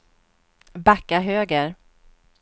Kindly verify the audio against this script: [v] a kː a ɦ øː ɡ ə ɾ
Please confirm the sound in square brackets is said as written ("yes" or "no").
no